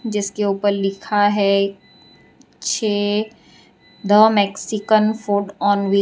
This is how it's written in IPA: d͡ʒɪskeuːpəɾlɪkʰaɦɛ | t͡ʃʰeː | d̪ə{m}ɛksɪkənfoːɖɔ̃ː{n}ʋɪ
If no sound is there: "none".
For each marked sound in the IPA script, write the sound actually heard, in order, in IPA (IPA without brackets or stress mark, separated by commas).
m, n